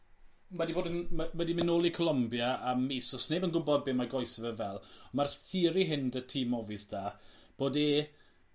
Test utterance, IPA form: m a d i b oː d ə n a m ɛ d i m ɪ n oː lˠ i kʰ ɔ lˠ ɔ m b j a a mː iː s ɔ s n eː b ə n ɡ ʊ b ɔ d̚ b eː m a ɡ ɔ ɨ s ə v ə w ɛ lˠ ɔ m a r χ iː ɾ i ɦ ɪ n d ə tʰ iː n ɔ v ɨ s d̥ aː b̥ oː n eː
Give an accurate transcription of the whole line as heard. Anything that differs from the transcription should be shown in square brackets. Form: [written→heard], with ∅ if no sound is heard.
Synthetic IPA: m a d i b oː d ə n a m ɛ d i m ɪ n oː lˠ i kʰ ɔ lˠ ɔ m b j a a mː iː s ɔ s n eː b ə n ɡ ʊ b ɔ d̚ b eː m a ɡ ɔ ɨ s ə v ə [w→v] ɛ lˠ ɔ m a r [χ→θ] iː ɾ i ɦ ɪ n d ə tʰ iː [n→m] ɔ v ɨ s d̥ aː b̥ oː [n→d] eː